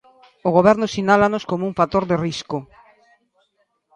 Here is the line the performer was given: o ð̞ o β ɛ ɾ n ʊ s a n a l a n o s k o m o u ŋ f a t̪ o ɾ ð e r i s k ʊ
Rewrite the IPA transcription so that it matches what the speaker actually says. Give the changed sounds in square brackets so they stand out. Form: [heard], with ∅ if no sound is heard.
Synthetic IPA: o [ɣ̞] o β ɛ ɾ n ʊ s [i] n a l a n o s k o m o u ŋ f a t̪ o ɾ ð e r i s k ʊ